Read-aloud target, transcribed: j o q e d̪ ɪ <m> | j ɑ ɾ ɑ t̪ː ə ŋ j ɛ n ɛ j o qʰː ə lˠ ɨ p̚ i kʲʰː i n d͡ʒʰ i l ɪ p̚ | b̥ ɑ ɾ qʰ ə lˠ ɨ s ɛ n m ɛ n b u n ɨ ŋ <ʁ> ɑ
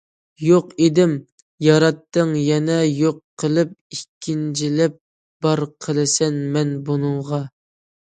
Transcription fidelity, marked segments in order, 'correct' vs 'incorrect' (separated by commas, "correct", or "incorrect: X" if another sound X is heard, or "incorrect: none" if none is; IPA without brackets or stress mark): correct, correct